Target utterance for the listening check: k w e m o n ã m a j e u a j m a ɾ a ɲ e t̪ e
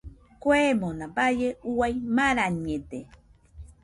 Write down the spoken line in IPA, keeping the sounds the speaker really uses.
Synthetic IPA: k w e m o n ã b a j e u a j m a ɾ a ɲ e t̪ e